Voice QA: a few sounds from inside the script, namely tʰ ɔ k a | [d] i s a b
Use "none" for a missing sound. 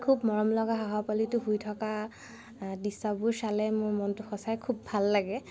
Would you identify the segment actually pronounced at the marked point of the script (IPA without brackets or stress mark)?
d